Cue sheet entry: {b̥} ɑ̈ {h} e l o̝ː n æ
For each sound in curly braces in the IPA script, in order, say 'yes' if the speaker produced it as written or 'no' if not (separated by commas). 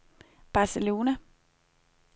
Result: yes, no